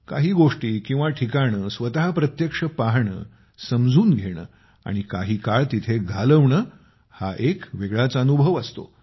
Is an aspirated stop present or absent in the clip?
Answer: present